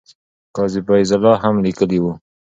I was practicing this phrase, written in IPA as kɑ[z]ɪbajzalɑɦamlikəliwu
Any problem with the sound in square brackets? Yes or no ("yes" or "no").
no